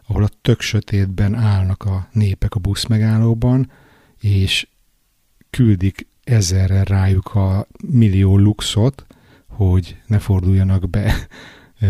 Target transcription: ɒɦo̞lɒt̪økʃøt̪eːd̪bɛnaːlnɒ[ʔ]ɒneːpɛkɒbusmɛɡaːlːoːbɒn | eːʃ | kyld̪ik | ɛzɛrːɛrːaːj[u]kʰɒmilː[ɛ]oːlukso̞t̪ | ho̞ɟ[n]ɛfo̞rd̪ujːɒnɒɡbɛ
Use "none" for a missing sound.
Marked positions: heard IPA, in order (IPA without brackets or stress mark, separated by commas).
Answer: k, u, i, n